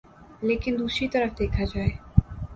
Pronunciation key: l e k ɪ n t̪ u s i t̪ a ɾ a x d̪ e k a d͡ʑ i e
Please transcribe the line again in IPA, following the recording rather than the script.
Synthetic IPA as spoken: l e k i n d̪ u ʃ i t̪ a ɾ a f d̪ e kʰ a d͡ʑ a e